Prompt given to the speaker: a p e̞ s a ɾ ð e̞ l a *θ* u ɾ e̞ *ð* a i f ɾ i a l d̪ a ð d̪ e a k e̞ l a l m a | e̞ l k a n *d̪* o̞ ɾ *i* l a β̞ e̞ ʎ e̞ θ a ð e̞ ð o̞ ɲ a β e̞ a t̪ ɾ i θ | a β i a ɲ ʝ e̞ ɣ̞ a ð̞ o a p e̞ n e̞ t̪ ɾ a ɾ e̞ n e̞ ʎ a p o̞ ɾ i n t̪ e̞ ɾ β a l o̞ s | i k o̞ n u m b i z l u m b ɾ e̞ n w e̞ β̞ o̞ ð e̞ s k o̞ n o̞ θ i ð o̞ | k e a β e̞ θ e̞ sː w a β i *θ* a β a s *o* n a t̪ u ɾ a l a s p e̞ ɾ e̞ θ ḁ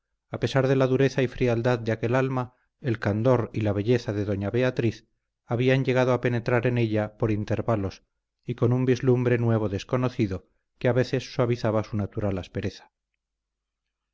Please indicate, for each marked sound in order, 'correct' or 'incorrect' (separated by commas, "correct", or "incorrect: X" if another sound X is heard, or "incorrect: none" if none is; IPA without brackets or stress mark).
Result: incorrect: ð, incorrect: θ, correct, correct, correct, incorrect: u